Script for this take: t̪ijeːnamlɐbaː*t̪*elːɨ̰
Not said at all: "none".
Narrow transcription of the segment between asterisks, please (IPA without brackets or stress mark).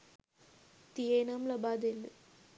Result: d̪